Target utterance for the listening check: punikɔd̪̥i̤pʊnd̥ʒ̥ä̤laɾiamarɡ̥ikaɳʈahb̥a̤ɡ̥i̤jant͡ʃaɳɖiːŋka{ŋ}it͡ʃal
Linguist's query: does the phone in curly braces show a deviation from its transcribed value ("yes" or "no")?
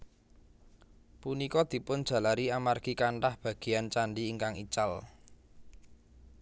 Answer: no